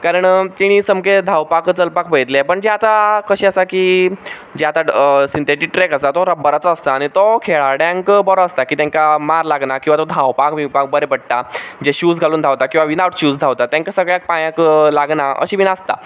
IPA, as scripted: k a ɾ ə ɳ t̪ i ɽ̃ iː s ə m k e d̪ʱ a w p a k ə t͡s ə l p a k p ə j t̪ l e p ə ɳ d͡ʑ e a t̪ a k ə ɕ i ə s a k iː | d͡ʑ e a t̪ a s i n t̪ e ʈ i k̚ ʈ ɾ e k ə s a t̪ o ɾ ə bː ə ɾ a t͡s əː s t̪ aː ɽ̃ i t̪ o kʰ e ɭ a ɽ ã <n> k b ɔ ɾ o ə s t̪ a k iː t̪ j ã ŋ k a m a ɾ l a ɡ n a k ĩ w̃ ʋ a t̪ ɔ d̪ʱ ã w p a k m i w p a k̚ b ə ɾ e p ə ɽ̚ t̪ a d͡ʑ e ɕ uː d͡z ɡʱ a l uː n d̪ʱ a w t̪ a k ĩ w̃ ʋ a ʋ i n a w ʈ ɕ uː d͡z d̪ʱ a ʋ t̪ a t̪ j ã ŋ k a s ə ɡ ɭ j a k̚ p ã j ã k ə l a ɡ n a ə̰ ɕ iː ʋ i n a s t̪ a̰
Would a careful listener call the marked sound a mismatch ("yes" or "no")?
yes